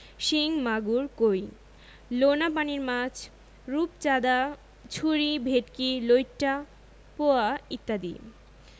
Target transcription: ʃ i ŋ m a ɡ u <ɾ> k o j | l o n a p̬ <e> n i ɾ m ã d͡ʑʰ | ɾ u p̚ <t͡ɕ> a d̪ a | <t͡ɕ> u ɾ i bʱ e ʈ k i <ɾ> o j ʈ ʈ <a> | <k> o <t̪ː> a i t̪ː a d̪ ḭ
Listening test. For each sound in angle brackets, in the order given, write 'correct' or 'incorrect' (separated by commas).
correct, incorrect, correct, incorrect, incorrect, correct, incorrect, incorrect